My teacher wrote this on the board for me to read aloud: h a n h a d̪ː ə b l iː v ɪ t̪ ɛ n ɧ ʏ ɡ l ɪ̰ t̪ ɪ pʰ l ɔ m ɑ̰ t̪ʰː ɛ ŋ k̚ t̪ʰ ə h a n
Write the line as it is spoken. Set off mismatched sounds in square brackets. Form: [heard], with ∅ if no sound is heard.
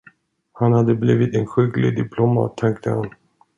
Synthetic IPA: h a n h a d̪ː ə b l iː v ɪ t̪ ɛ n ɧ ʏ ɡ l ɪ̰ [d̪] ɪ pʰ l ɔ m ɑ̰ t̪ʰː ɛ ŋ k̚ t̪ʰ ə h a n